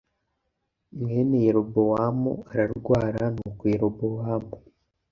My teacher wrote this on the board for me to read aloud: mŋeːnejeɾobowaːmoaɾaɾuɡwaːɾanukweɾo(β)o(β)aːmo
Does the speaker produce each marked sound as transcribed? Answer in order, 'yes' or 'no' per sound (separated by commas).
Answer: no, no